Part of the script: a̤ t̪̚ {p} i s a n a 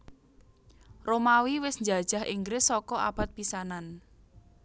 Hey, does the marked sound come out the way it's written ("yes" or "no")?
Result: yes